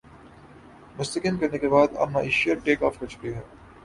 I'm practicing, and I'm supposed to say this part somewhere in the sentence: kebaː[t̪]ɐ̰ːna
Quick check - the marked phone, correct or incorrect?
incorrect: d̪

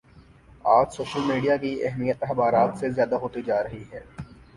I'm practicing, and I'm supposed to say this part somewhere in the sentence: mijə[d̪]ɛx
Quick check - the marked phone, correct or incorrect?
incorrect: t̪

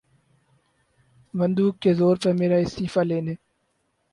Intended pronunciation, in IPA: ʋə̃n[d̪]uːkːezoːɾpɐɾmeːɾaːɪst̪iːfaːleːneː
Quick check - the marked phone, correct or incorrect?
correct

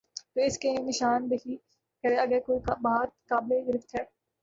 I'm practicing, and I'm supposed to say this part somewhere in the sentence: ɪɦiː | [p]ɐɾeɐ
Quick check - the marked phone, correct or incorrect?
incorrect: k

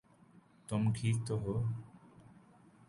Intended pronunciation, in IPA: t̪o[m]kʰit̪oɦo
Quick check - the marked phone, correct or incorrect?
correct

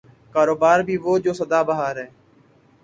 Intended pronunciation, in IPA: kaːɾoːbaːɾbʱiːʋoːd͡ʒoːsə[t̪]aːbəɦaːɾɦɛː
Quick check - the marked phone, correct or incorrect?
incorrect: d̪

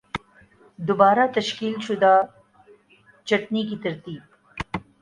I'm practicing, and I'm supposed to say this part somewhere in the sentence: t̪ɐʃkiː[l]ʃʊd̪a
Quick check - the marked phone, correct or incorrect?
correct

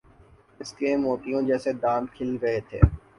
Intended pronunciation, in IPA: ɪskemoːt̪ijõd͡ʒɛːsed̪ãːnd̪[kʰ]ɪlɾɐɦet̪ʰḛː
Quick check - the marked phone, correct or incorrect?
correct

